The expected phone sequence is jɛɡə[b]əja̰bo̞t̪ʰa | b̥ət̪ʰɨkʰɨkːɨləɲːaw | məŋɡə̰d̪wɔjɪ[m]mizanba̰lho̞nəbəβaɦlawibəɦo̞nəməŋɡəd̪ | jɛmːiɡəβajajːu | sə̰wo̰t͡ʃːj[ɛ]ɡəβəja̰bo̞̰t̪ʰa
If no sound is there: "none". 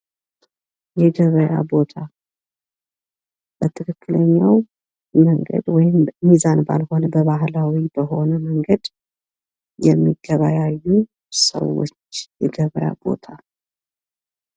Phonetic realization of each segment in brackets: β, m, ɛ

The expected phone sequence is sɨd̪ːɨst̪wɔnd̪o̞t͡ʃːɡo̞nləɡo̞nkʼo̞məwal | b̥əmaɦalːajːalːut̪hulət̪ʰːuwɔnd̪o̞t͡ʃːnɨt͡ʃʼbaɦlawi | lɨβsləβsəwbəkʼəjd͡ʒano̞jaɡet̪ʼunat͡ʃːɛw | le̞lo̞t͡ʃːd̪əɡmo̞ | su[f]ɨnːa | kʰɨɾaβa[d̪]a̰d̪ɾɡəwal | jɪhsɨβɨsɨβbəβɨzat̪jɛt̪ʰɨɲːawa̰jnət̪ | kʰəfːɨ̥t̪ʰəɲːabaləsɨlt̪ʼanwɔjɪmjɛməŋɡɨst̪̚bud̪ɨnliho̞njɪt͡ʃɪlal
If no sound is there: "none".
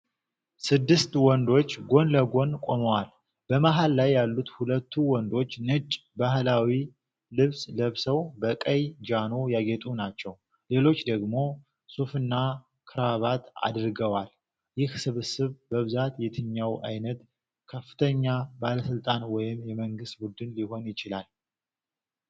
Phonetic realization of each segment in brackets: f, t̪

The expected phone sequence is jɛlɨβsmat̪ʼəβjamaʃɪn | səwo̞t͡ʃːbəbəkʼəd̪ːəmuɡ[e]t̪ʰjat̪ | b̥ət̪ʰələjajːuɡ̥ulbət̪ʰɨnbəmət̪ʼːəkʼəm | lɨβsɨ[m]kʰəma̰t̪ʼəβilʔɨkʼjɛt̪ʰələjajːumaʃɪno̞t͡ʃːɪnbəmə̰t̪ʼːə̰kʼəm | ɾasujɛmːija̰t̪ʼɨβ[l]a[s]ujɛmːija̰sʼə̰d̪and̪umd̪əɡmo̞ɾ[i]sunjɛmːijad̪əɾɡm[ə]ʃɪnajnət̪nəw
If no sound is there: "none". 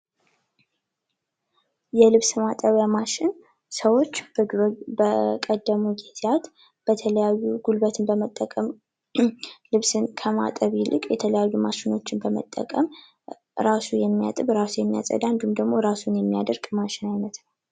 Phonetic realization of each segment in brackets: e, n, ɾ, s, a, a

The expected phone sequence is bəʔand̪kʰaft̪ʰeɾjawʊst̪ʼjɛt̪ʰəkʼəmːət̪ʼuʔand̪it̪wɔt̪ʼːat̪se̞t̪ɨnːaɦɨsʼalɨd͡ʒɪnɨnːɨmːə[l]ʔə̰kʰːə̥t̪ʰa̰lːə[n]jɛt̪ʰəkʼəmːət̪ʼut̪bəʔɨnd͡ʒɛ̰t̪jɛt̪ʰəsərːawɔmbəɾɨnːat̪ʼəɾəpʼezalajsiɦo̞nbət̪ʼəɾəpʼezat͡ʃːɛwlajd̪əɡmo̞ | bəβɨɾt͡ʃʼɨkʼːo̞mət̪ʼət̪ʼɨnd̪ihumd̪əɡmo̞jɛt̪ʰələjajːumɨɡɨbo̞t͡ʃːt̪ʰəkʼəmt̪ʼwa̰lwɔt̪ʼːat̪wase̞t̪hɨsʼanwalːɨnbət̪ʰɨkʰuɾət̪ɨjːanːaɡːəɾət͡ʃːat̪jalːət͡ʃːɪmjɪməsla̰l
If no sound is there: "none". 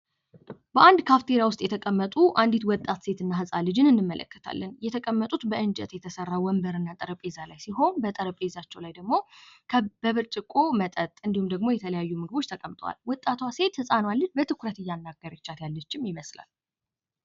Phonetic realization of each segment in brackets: l, n

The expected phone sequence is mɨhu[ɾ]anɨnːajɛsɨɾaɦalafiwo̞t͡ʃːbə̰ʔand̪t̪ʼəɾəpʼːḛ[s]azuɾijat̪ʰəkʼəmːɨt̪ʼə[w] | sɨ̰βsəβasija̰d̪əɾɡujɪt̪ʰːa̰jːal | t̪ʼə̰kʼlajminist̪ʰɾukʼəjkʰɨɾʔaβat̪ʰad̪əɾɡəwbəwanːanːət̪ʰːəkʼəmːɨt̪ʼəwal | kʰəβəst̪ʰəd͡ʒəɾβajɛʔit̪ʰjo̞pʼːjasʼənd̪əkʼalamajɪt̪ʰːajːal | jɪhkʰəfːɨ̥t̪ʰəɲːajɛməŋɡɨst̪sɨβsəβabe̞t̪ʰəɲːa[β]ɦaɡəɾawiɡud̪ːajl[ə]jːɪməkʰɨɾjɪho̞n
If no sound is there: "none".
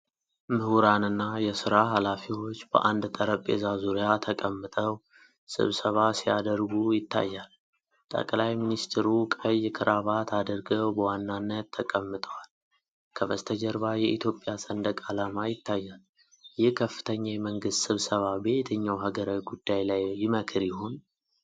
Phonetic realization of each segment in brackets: ɾ, z, w, w, a

